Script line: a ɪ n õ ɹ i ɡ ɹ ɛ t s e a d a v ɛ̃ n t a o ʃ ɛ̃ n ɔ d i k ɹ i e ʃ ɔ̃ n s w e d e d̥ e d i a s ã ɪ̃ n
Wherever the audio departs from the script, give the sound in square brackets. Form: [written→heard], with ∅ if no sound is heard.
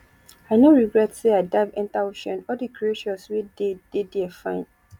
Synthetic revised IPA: a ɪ n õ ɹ i ɡ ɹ ɛ t s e a d a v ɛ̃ n t a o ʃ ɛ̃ n ɔ d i k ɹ i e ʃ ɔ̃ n s w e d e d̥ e d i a [s→f] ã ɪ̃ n